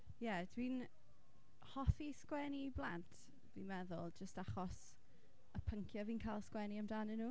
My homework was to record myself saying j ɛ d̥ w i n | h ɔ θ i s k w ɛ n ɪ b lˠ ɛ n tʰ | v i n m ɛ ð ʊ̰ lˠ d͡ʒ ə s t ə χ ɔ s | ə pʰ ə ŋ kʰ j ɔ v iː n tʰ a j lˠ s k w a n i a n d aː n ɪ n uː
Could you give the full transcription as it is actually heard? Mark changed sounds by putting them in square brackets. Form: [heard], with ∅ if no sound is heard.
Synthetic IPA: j ɛ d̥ w i n | h ɔ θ i s k w ɛ n [i] b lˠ [a] n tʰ | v i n m ɛ ð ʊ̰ lˠ d͡ʒ ə s t [a] χ ɔ s | ə pʰ ə ŋ kʰ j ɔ v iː n [kʰ] a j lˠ s k w [ɛ] n i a [m] d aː n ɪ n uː